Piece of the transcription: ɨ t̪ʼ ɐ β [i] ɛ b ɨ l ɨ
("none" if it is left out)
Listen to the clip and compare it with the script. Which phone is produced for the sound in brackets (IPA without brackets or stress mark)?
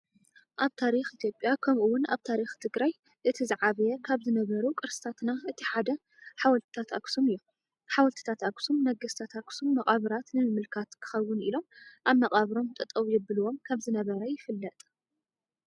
j